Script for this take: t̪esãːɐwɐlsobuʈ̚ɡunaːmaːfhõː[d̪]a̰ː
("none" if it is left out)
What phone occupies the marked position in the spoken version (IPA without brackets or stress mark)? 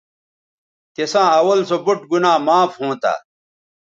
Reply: t̪